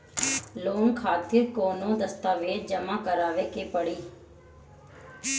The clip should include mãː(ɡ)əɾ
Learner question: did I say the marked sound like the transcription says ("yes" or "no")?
no